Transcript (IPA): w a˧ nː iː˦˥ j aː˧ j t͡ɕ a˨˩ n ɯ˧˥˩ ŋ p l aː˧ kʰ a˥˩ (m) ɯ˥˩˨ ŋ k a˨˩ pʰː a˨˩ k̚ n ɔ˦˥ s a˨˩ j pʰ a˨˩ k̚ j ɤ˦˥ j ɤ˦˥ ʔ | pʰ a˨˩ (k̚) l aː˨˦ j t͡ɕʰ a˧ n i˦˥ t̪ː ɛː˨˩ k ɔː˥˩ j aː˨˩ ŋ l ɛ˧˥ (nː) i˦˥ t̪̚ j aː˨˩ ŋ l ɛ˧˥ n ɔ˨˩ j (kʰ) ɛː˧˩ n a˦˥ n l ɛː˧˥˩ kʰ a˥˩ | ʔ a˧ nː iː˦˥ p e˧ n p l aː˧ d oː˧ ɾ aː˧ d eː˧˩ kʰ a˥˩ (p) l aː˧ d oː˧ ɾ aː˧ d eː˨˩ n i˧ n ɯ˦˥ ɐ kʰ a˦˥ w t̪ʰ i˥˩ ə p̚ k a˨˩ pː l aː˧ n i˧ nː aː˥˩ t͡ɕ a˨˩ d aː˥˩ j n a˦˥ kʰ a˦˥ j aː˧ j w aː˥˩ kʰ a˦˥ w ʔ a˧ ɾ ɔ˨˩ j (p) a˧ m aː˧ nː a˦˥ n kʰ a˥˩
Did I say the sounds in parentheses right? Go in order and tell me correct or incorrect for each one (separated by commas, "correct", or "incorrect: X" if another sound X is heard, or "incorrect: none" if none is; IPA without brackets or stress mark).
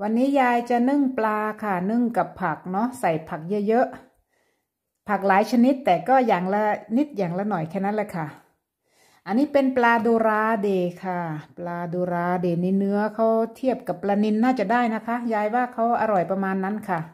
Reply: incorrect: n, correct, incorrect: n, correct, correct, correct